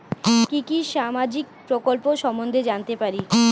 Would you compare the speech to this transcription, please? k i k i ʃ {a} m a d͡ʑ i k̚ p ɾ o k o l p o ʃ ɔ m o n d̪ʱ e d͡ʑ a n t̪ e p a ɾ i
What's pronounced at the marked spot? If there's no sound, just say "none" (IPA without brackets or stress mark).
a